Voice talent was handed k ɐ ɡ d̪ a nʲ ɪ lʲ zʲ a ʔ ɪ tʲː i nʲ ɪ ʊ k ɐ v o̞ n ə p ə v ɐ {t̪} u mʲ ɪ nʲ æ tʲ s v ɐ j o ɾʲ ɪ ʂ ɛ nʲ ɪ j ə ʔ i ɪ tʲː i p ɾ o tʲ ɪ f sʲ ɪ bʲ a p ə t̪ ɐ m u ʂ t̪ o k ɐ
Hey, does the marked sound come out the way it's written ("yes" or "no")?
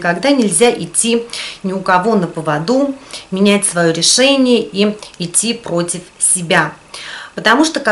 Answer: no